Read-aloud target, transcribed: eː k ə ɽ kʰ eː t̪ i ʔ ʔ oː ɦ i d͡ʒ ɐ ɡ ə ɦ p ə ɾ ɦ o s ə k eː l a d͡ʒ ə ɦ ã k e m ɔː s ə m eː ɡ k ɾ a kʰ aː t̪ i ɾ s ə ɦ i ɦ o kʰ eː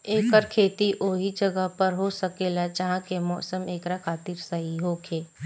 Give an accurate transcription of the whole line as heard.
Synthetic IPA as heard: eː k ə ɾ kʰ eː t̪ i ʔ ʔ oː ɦ i d͡ʒ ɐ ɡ ə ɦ p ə ɾ ɦ o s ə k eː l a d͡ʒ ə ɦ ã k e m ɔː s ə m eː k ɾ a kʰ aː t̪ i ɾ s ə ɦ i ɦ o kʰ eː

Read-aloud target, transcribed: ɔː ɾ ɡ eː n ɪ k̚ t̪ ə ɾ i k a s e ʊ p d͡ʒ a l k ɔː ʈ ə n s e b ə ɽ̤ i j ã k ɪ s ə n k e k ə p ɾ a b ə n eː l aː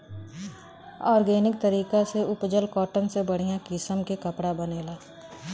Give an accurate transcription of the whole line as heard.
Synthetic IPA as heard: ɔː ɾ ɡ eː n ɪ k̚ t̪ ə ɾ iː k a s e ʊ p d͡ʒ ə l k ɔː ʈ ə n s e b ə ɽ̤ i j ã k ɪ s ə m k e k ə p ɽ a b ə n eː l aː

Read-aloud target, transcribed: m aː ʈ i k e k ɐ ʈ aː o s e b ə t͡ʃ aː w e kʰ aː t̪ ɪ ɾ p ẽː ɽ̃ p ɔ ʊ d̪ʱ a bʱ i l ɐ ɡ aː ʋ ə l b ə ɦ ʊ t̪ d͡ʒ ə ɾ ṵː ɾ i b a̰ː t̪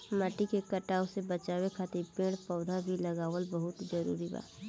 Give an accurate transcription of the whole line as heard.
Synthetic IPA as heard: m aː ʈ i k e k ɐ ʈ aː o s e b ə t͡ʃ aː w e kʰ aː t̪ ɪ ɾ p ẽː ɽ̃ p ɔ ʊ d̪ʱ a bʱ i l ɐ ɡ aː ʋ ə l b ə ɦ ʊ t̪ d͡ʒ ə ɾ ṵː ɾ i b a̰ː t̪

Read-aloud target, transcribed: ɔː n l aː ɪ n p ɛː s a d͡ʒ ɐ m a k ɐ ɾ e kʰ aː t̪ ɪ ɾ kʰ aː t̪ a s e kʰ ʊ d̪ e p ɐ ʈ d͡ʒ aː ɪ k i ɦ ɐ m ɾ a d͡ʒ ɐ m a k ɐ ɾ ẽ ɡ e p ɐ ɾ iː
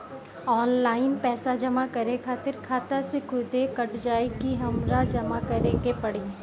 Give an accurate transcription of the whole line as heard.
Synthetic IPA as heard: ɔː n l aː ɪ n p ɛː s a d͡ʒ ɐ m a k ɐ ɾ e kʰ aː t̪ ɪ ɾ kʰ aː t̪ a s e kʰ ʊ d̪ e k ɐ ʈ d͡ʒ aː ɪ k i ɦ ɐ m ɾ a d͡ʒ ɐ m a k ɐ ɾ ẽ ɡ e p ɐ ɽ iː

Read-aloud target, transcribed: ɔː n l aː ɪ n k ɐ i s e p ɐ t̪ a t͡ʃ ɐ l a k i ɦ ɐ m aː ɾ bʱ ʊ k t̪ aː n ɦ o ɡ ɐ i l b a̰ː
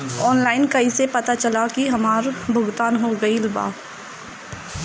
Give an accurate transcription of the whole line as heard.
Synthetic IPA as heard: ɔː n l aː ɪ n k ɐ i s e p ɐ t̪ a t͡ʃ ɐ l a k i ɦ ɐ m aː ɾ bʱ ʊ ɡ t̪ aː n ɦ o ɡ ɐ i l b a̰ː

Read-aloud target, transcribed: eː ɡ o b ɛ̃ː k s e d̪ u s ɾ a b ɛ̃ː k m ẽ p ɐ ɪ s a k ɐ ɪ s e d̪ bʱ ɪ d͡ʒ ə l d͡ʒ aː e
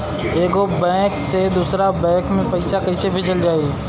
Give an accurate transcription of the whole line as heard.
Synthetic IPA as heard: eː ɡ o b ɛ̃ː k s e d̪ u s ɾ a b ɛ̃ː k m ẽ p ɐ ɪ s a k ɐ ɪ s e bʱ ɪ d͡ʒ ə l d͡ʒ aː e

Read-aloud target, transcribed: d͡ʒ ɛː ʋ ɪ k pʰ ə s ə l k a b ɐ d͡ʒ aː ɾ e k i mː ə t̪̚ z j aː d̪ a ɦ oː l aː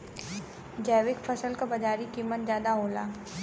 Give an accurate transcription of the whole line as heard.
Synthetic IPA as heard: d͡ʒ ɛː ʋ ɪ k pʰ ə s ə l k a b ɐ d͡ʒ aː ɾ i k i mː ə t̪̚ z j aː d̪ a ɦ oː l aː

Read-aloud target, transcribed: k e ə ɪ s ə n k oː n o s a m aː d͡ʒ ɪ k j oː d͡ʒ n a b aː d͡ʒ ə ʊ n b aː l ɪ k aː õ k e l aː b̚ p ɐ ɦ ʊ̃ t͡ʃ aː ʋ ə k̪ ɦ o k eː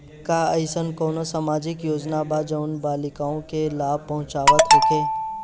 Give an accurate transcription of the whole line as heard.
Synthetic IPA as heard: k a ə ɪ s ə n k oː n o s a m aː d͡ʒ ɪ k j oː d͡ʒ n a b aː d͡ʒ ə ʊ n b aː l ɪ k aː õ k e l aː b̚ p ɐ ɦ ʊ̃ t͡ʃ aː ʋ ə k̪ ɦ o k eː

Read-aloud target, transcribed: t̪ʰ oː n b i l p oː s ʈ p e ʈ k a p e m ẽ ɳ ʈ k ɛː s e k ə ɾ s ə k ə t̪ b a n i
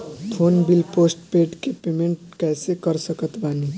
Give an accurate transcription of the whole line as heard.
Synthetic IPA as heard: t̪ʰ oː n b i l p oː s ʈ p e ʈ k e p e m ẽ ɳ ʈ k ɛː s e k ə ɾ s ə k ə t̪ b a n i

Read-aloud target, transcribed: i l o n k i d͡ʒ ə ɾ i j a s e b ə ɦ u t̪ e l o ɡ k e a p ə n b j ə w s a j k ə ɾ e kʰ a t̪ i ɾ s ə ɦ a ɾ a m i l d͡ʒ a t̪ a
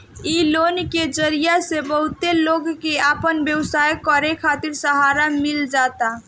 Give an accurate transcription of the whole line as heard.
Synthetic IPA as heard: i l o n k e d͡ʒ ə ɾ i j a s e b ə ɦ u t̪ e l o ɡ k e a p ə n b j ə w s a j k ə ɾ e kʰ a t̪ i ɾ s ə ɦ a ɾ a m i l d͡ʒ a t̪ a

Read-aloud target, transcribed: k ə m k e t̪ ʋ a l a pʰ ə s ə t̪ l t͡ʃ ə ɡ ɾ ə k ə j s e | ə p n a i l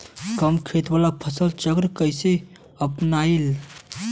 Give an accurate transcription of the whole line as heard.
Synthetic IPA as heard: k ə m kʰ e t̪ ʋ a l a pʰ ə s ə l t͡ʃ ə ɡ ɾ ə k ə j s e | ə p n a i l

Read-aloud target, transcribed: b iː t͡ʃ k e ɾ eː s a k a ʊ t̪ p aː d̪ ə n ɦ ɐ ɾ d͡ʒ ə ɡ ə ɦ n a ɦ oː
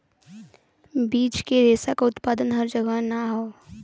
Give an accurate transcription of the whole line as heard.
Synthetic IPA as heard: b iː t͡ʃ k e ɾ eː s a k a ʊ t̪ p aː d̪ ə n ɦ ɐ ɾ d͡ʒ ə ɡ ə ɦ n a ɦ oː

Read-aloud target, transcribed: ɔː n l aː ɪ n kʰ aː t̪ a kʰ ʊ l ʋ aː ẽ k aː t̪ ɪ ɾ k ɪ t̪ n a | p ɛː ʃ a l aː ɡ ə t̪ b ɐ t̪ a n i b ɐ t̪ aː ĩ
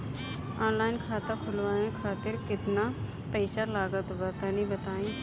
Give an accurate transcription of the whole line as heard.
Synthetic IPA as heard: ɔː n l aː ɪ n kʰ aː t̪ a kʰ ʊ l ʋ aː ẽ kʰ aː t̪ ɪ ɾ k ɪ t̪ n a | p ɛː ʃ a l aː ɡ ə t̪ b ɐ t̪ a n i b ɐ t̪ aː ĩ

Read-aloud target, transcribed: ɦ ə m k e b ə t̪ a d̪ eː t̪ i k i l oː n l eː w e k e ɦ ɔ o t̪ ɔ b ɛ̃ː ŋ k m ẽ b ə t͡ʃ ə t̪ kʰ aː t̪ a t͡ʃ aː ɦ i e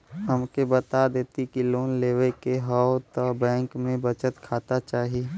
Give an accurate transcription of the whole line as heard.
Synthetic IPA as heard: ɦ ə m k e b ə t̪ a d̪ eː t̪ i k i l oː n l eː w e k e ɦ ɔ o t̪ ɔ b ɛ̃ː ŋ k m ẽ b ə t͡ʃ ə t̪ kʰ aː t̪ a t͡ʃ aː ɦ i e

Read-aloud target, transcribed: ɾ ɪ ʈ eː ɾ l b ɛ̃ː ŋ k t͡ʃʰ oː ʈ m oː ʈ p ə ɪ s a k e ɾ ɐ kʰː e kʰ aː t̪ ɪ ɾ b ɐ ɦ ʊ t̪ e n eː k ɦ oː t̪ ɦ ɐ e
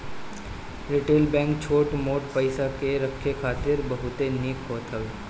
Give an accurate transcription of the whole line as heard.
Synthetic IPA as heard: ɾ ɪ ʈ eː l b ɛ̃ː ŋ k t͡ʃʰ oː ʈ m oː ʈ p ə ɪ s a k e ɾ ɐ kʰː e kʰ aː t̪ ɪ ɾ b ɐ ɦ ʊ t̪ e n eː k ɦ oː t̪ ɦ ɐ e

